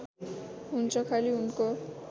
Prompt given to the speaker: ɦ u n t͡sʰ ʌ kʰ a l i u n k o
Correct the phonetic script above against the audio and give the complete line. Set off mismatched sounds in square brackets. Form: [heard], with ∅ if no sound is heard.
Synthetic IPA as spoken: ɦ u n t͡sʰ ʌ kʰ a l i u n k o